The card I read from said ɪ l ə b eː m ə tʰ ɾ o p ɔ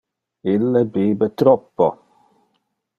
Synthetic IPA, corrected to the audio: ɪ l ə b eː b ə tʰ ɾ ɔ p ɔ